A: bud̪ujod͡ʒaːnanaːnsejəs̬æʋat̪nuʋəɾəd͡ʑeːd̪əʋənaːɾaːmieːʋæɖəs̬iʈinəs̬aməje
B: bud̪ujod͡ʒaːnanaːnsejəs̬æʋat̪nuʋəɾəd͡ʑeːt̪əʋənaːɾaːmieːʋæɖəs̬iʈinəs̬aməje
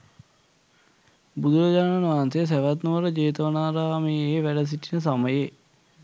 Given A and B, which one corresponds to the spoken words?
B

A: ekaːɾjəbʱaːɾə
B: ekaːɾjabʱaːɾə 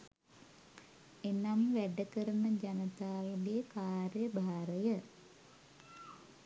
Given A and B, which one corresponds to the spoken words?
A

